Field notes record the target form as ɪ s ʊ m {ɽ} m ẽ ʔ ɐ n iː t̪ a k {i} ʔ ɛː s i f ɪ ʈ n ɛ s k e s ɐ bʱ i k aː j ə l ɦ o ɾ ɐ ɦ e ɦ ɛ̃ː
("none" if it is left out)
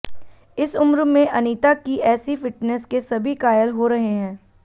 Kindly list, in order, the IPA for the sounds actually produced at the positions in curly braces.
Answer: ɾ, i

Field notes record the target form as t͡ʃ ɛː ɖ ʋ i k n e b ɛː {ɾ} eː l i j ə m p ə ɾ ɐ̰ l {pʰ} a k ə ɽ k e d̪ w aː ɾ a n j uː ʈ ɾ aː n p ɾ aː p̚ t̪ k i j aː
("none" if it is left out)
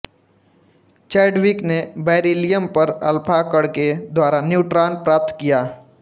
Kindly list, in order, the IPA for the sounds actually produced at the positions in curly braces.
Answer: ɾ, pʰ

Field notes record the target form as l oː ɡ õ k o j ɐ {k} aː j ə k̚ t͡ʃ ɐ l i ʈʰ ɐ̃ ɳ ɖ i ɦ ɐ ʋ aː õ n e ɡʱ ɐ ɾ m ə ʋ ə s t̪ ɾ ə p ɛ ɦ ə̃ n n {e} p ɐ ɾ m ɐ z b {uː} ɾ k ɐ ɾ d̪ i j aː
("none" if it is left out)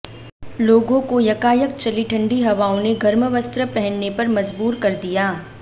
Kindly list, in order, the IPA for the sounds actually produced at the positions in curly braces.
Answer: k, e, uː

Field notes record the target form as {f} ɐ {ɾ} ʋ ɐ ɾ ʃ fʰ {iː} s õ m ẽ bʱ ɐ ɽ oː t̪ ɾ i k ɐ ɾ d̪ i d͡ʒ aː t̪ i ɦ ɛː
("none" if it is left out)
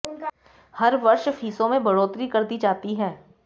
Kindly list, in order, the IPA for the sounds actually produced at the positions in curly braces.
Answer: h, ɾ, iː

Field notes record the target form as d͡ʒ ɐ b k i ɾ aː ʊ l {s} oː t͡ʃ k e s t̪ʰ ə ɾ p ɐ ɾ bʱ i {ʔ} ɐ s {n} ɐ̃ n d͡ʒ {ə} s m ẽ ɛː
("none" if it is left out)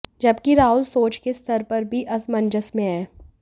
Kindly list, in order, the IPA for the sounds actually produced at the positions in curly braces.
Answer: s, ʔ, m, ə

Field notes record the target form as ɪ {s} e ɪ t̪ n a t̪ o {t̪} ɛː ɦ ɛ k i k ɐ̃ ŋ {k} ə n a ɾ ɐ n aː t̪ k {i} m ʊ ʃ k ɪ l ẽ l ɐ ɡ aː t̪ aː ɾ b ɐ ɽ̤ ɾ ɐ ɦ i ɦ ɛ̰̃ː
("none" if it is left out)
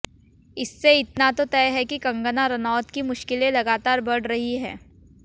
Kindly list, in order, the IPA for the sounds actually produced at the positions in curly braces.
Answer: sː, t̪, ɡ, i

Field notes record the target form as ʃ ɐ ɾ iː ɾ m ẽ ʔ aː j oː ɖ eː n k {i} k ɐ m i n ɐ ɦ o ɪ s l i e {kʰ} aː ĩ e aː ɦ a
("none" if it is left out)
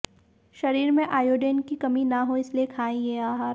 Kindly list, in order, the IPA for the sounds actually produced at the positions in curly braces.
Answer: i, kʰ

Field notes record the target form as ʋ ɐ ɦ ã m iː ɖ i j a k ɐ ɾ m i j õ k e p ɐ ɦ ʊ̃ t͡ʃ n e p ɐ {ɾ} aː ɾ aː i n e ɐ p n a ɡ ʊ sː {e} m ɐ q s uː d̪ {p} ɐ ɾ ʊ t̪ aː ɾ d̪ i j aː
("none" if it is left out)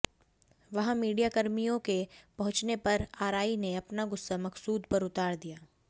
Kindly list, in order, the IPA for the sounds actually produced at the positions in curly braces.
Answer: ɾ, a, p

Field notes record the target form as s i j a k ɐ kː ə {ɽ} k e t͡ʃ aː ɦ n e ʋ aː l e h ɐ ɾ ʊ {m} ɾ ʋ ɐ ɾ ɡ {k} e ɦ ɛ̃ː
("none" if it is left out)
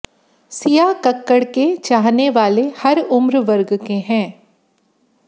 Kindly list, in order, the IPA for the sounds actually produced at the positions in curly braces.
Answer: ɽ, m, k

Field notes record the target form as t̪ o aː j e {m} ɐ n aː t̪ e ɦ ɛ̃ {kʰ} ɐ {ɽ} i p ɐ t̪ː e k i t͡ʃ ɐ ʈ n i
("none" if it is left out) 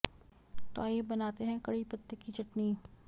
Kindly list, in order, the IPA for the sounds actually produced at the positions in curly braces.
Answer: b, k, ɽ

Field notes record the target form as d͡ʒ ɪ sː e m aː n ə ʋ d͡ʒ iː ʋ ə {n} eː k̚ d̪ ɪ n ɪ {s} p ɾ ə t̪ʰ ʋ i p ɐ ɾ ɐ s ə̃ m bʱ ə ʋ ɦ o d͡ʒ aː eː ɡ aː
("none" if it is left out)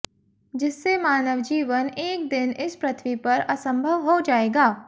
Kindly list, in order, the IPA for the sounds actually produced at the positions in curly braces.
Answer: n, s

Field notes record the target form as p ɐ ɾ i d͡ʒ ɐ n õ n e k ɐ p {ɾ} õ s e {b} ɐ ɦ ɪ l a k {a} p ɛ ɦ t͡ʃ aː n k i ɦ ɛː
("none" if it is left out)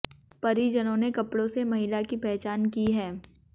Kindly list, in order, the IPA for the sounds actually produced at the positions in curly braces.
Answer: ɽ, m, i

